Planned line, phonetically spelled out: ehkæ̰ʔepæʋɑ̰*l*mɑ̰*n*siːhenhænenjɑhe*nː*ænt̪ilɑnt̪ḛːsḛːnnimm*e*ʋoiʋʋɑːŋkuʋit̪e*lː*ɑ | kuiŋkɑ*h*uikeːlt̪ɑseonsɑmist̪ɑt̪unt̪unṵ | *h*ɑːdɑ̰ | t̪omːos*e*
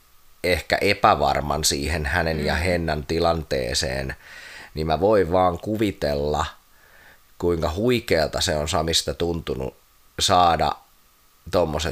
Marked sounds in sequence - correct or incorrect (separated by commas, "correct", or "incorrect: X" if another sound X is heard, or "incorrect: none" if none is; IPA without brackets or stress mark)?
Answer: incorrect: r, correct, correct, incorrect: æ, correct, correct, incorrect: s, correct